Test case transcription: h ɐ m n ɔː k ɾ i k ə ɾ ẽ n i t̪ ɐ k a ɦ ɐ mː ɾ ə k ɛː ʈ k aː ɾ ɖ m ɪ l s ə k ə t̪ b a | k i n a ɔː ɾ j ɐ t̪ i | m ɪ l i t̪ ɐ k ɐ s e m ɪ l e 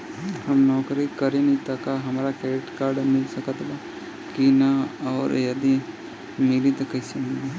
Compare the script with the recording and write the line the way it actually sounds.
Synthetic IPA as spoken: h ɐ m n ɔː k ɾ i k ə ɾ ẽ n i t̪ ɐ k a ɦ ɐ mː ɾ a k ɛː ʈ k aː ɾ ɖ m ɪ l s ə k ə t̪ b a | k i n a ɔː ɾ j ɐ d̪ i | m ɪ l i t̪ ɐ k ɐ s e m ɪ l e